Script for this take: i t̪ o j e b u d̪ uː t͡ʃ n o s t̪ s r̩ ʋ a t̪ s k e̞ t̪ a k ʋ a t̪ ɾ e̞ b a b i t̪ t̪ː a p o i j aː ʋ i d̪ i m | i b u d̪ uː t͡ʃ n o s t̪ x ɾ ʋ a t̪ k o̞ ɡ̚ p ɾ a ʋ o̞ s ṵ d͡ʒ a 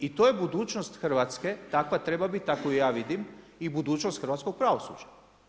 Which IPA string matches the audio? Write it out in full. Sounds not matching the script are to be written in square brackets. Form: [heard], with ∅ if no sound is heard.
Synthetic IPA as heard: i t̪ o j e b u d̪ uː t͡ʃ n o s t̪ [x] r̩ ʋ a t̪ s k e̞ t̪ a k ʋ a t̪ ɾ e̞ b a b i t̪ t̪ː a [k] o i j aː ʋ i d̪ i m | i b u d̪ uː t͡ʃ n o s t̪ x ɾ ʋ a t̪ k o̞ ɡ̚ p ɾ a ʋ o̞ s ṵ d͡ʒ a